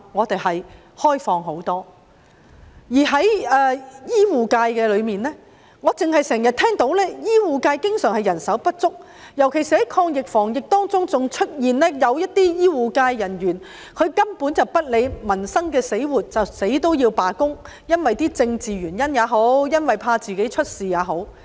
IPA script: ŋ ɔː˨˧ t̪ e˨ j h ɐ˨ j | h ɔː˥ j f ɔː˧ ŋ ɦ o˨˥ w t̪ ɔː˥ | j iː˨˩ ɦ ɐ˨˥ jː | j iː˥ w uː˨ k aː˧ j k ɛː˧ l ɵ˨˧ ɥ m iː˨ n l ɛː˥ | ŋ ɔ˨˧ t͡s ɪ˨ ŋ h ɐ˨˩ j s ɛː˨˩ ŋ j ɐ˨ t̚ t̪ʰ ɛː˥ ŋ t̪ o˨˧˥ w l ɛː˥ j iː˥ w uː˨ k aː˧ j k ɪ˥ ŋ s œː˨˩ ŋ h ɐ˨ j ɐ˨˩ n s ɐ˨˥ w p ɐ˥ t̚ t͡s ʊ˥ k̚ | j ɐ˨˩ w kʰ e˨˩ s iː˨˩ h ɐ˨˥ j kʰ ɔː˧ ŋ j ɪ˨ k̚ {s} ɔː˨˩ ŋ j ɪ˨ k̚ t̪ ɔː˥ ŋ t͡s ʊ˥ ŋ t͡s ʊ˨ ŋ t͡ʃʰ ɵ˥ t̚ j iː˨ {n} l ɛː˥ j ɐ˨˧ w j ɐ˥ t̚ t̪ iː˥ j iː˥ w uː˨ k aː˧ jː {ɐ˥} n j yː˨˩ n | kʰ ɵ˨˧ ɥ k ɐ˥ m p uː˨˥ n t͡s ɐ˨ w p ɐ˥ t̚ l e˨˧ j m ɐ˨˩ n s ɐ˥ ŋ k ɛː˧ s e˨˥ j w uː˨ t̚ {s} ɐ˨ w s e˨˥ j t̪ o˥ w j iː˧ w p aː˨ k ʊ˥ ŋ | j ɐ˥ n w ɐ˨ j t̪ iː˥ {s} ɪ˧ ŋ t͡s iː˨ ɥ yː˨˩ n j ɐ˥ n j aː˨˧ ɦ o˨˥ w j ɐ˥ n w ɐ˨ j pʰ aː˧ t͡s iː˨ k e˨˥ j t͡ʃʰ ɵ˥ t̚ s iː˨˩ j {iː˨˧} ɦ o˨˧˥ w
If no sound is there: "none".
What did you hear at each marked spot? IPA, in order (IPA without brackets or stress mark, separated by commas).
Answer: f, n, ɐ˨˩, t͡s, t͡s, aː˨˧